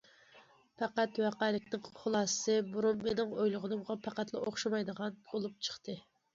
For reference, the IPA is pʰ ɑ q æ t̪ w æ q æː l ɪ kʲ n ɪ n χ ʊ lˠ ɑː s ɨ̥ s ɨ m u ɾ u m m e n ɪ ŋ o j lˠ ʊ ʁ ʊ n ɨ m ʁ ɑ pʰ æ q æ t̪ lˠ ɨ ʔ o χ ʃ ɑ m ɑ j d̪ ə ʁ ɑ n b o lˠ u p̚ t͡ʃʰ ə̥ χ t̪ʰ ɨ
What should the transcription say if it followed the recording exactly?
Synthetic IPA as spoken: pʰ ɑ q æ t̪ w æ q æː l ɪ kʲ n ɪ ŋ χ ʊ lˠ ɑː s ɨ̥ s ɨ b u ɾ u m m e n ɪ ŋ o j lˠ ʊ ʁ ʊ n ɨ m ʁ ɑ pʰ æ q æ t̪ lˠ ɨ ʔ o χ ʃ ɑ m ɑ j d̪ ə ʁ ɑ n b o lˠ u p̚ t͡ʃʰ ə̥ χ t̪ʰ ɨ